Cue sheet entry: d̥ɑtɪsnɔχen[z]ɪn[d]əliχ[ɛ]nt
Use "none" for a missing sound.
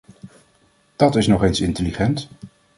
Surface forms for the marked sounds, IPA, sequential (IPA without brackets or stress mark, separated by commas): s, t, ɛ